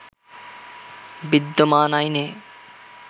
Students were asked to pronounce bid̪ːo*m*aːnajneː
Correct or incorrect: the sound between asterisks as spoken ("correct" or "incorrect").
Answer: correct